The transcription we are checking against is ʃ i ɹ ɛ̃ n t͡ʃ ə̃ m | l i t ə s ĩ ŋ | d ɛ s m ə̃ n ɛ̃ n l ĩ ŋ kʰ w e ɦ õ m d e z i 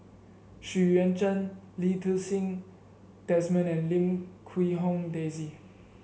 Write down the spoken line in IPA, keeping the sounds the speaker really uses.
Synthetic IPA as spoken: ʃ i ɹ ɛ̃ n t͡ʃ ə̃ n | l i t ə s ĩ ŋ | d ɛ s m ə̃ n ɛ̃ n l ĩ m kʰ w i ɦ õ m d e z i